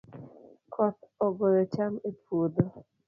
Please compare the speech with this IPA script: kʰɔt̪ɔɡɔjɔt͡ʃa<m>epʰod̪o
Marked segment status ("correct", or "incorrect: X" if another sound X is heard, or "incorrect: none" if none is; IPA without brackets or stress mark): correct